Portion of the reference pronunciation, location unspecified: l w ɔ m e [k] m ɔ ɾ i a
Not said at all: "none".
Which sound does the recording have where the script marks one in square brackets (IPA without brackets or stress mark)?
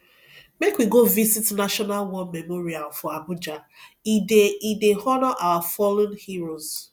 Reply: none